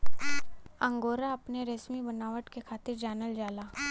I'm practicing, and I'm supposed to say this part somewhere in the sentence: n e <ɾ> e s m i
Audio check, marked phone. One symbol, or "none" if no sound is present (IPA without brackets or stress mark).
ɾ